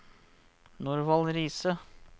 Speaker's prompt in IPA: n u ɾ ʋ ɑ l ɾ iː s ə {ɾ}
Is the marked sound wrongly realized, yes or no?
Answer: yes